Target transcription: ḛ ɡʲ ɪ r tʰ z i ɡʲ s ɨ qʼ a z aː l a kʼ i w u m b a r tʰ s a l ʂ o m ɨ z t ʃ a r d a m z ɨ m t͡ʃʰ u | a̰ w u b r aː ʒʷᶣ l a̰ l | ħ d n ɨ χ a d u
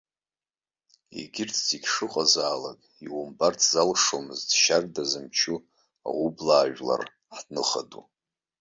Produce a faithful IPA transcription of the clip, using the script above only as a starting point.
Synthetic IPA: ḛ ɡʲ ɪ r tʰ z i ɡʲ ʂ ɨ qʼ a z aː l a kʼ i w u m b a r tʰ z a l ʂ o m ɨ z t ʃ a r d a z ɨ m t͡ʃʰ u | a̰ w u b l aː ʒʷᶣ l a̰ r | ħ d n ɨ χ a d u